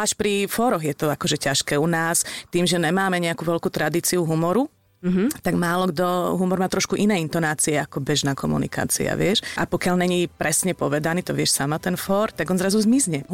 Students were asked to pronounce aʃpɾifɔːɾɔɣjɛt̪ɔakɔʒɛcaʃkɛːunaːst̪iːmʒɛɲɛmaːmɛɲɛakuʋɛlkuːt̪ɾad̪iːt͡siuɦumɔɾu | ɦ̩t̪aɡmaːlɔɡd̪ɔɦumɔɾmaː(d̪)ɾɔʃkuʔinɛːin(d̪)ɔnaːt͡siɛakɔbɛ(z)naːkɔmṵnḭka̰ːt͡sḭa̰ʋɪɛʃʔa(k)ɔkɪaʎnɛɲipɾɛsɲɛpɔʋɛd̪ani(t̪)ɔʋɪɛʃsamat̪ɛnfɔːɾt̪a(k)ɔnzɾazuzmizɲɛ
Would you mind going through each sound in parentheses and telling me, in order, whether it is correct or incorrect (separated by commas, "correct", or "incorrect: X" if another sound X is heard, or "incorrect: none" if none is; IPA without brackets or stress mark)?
incorrect: t̪, incorrect: t̪, incorrect: ʒ, incorrect: p, correct, incorrect: ɡ